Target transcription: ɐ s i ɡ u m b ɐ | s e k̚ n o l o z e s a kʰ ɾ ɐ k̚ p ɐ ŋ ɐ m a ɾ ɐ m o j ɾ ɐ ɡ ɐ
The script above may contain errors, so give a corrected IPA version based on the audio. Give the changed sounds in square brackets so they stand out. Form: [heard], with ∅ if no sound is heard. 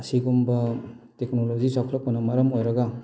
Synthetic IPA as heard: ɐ s i ɡ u m b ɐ | [t] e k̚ n o l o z [i] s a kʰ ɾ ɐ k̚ p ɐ [n] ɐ m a ɾ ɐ m o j ɾ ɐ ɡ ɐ